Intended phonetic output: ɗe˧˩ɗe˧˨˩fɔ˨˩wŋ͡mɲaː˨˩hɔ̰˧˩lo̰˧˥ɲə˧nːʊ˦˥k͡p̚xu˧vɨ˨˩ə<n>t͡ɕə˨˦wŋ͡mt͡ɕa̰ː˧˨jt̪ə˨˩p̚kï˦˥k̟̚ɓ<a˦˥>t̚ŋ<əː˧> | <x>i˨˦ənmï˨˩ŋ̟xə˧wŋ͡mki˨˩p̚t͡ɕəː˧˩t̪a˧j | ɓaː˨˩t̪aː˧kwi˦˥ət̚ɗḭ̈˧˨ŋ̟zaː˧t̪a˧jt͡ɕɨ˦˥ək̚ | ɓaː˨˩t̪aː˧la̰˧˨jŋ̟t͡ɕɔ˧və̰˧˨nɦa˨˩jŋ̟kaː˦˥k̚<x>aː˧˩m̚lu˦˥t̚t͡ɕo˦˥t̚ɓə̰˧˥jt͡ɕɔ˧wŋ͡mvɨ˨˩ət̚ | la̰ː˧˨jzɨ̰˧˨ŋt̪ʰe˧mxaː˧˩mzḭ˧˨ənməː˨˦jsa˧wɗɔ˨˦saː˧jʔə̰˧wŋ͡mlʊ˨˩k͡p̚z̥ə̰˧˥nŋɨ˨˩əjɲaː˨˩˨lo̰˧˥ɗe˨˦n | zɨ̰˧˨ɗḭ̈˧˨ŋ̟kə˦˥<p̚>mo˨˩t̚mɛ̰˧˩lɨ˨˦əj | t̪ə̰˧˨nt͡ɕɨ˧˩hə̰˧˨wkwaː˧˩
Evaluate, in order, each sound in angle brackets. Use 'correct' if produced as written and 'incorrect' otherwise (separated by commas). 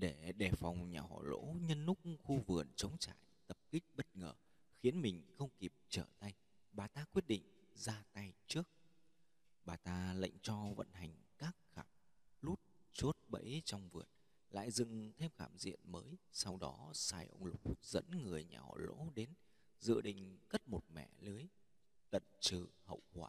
correct, incorrect, incorrect, correct, correct, incorrect